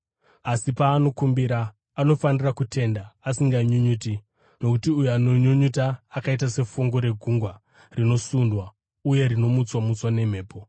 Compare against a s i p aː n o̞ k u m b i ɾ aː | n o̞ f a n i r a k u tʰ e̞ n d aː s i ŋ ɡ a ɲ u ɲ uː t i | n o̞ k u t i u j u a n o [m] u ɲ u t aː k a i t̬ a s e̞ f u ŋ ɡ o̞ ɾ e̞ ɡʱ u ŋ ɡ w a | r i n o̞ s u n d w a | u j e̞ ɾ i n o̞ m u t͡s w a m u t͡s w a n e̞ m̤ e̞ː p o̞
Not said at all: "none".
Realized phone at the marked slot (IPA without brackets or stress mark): ɲ